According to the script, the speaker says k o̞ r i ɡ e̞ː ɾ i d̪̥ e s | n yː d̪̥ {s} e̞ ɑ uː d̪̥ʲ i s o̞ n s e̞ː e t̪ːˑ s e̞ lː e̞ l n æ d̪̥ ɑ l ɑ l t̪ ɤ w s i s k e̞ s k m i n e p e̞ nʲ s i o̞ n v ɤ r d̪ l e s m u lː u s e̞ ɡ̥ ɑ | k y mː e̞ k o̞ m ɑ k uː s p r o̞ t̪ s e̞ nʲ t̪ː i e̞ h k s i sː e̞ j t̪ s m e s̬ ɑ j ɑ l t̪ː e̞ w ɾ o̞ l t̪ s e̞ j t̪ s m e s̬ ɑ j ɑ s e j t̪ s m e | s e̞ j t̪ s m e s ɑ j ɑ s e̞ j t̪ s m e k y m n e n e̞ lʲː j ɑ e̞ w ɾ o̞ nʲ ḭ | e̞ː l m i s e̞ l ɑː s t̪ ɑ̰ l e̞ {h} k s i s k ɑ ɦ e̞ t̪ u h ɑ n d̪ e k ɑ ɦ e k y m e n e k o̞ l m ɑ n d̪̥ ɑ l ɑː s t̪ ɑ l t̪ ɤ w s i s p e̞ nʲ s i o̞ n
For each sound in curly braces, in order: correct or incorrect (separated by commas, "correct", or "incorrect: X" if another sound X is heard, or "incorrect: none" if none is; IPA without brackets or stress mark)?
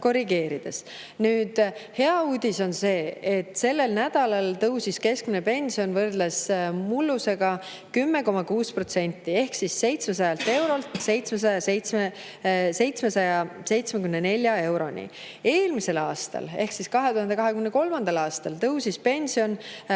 incorrect: h, correct